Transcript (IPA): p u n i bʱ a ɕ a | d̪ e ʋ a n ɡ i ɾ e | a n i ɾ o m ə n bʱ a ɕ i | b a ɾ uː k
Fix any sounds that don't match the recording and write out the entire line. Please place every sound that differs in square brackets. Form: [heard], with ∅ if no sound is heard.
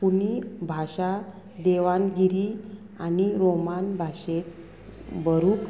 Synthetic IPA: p u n i bʱ a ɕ a | d̪ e ʋ a n ɡ i ɾ [i] | a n i ɾ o m [a] n bʱ a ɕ [e] | b [ə] ɾ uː k